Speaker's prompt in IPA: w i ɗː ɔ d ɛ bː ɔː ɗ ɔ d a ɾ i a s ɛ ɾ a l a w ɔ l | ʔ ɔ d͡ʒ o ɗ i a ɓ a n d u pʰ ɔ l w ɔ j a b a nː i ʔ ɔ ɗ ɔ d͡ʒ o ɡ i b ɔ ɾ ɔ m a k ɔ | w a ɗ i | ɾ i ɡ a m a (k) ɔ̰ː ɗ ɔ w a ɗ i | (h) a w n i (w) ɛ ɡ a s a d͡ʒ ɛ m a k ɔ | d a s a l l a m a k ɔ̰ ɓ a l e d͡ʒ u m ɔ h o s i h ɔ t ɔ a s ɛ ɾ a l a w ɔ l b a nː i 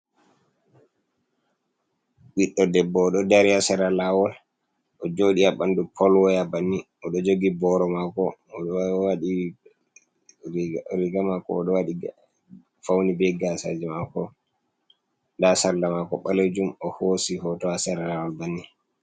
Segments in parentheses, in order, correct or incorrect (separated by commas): correct, incorrect, incorrect